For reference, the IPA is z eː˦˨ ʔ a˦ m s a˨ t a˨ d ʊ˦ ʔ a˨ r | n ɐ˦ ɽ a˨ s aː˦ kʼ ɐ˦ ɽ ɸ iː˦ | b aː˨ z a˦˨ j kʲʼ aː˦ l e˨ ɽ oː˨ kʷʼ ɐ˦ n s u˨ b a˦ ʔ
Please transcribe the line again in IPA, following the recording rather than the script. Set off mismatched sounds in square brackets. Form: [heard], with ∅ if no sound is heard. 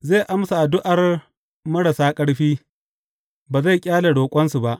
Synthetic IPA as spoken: z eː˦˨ ʔ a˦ m s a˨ [ʔ] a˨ d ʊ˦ ʔ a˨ r | [m] ɐ˦ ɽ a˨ s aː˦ kʼ ɐ˦ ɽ ɸ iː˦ | b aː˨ z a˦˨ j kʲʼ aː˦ l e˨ ɽ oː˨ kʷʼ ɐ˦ n s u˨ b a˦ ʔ

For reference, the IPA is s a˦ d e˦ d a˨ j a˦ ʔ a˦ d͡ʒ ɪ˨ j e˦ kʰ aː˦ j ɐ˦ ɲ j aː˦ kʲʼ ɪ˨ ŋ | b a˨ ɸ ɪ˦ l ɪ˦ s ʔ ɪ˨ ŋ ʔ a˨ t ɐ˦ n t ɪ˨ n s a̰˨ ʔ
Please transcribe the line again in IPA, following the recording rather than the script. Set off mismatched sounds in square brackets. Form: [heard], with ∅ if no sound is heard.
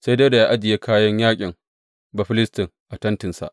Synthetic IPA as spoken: s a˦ d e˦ d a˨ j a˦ ʔ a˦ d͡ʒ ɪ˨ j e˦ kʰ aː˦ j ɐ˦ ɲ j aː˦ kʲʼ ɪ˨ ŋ | b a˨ ɸ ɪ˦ l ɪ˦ s [t] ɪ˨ ŋ ʔ a˨ t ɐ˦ n t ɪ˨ n s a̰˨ ʔ

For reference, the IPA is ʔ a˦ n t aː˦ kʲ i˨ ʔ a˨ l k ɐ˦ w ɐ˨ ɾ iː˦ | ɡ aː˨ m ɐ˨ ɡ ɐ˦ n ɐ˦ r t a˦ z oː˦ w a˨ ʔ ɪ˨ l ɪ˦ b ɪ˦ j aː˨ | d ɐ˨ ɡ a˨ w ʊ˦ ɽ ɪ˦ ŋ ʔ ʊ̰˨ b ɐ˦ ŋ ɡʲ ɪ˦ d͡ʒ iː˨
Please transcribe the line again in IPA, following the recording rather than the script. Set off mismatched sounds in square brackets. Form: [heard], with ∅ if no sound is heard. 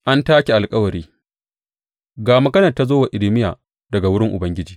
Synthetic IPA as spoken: ʔ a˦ n t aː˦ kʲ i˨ ʔ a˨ l [kʼ] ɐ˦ w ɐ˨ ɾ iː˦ | ɡ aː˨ m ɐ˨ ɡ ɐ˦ n [ɐ˨] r t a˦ z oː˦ w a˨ ʔ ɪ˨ l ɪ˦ [m] ɪ˦ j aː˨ | d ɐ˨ ɡ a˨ w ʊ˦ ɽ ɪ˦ ŋ ʔ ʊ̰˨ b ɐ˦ ŋ ɡʲ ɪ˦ d͡ʒ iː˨

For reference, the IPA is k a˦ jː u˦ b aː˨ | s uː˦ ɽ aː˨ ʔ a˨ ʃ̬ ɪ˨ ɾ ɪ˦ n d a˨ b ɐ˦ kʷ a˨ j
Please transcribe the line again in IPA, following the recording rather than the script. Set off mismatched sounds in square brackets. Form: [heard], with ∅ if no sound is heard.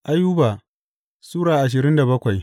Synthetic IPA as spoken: [ʔ] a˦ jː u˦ b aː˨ | s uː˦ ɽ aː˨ ʔ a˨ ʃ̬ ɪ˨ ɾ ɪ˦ n d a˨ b ɐ˦ kʷ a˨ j

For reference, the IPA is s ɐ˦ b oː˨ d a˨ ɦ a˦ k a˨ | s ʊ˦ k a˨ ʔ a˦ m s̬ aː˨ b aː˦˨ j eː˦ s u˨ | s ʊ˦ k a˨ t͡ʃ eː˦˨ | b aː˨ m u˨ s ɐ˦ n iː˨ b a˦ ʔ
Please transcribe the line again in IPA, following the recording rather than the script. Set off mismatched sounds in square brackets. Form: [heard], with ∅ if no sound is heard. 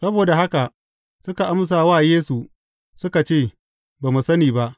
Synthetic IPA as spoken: s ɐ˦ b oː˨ d a˨ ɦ a˦ k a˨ | s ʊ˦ k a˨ ʔ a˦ m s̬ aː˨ [w] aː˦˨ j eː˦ s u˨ | s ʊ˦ k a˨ t͡ʃ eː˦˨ | b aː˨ m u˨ s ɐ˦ n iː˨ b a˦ ʔ

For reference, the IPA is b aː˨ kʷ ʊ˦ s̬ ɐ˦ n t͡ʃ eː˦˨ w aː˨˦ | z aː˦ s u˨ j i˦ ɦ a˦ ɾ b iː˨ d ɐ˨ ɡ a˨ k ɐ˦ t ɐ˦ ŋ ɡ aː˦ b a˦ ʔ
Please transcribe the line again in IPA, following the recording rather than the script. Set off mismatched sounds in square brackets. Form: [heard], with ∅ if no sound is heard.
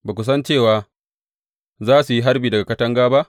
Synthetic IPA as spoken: b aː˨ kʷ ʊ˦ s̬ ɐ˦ n t͡ʃ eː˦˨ w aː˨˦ | z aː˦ s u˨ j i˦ ɦ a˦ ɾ b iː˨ d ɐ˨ ɡ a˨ k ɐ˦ t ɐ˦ ŋ ɡ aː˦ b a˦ ʔ

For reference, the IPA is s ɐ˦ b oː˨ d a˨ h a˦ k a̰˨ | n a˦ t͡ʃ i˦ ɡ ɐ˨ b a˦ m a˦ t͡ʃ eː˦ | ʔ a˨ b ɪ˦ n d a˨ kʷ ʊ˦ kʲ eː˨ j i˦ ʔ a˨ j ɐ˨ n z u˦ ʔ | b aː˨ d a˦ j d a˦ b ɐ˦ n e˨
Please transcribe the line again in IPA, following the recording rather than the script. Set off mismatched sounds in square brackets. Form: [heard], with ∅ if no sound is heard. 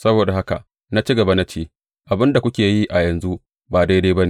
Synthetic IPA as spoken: s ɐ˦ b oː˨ d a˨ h a˦ k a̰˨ | n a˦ t͡ʃ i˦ ɡ ɐ˨ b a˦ [n] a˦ t͡ʃ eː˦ | ʔ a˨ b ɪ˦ n d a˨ kʷ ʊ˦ kʲ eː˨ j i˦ ʔ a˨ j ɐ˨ n z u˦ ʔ | b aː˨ d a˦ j d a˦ b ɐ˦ n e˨

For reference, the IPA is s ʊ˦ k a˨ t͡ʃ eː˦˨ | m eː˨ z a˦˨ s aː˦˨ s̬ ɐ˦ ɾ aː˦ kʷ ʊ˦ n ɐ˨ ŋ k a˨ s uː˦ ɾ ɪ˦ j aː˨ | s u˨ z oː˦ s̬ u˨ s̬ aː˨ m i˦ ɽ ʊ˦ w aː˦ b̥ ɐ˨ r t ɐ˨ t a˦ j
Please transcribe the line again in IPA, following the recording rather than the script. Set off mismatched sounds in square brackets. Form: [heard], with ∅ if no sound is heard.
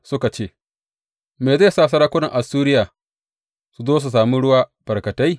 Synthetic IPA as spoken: s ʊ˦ k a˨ t͡ʃ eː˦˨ | m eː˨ z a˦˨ s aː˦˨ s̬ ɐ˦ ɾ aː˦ kʷ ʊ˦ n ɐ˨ ŋ [ʔ] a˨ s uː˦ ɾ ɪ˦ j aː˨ | s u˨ z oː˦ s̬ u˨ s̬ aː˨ m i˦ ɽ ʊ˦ w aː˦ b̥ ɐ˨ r [k] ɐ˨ t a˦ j

